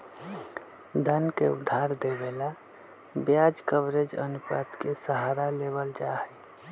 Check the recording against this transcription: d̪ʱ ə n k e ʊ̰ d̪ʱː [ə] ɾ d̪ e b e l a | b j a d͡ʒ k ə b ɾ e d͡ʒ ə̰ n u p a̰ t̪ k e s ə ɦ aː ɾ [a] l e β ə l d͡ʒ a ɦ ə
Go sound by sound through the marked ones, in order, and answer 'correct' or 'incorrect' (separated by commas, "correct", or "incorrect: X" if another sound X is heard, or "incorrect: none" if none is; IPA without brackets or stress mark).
incorrect: a, correct